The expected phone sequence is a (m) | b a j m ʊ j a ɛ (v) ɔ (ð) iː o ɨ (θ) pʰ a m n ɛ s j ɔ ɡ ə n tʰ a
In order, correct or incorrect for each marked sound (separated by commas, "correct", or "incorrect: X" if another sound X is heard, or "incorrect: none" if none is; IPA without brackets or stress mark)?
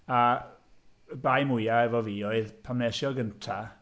incorrect: none, correct, incorrect: v, incorrect: ð